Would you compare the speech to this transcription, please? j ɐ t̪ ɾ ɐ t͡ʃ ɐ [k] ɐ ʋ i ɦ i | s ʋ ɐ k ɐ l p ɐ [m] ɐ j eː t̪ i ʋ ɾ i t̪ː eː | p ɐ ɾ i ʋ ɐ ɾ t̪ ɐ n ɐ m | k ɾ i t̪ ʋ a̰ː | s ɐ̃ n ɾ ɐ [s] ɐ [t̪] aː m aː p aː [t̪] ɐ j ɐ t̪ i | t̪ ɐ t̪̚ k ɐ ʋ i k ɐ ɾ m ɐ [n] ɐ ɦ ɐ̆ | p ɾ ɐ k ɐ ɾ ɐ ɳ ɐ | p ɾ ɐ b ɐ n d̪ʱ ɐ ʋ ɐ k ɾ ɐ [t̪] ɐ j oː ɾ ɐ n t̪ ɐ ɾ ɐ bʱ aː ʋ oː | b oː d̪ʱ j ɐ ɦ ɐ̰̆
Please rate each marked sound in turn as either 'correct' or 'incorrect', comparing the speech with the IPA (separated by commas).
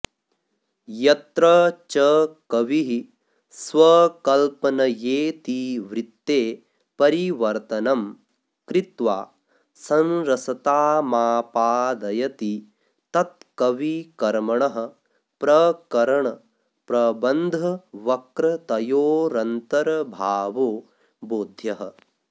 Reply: correct, incorrect, correct, correct, incorrect, incorrect, correct